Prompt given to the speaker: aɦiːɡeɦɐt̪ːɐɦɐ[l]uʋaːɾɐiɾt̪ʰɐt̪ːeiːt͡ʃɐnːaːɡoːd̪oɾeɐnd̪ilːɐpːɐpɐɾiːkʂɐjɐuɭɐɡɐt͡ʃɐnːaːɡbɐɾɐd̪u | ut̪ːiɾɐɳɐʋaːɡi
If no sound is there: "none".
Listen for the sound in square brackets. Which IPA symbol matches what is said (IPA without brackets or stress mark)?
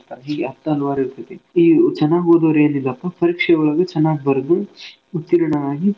l